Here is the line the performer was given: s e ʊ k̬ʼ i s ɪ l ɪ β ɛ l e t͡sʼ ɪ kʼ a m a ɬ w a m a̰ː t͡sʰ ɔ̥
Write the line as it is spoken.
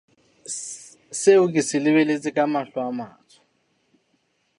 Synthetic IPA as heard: s e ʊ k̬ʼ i s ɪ l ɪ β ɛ l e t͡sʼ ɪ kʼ a m a ɬ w a m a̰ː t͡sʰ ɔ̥